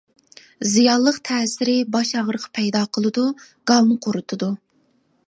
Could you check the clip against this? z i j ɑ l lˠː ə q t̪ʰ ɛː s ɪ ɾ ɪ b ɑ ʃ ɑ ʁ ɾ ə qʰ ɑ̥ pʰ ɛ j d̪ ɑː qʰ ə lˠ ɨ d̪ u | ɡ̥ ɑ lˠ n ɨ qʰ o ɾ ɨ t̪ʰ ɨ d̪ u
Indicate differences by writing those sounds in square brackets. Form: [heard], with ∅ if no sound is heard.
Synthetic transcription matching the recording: z i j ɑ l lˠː ə q t̪ʰ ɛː s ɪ ɾ ɪ b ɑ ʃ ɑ ʁ ɾ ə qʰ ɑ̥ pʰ ɛ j d̪ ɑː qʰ ə lˠ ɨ d̪ u | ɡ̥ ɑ lˠ n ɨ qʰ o ɾ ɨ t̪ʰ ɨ d̪ u